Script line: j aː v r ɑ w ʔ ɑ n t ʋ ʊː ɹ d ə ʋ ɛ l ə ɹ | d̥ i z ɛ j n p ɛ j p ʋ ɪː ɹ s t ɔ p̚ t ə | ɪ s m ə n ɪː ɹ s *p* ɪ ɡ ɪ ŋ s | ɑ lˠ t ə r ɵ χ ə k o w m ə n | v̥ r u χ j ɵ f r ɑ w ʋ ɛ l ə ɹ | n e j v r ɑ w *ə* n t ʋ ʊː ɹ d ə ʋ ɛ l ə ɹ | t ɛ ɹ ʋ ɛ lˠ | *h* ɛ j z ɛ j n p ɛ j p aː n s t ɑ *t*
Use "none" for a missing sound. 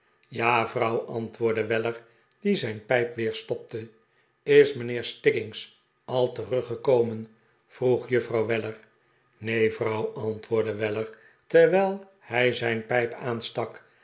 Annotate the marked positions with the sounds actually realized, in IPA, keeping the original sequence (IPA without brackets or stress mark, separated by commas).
t, ɑ, h, k